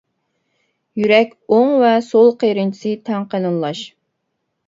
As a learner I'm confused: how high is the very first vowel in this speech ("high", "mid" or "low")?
high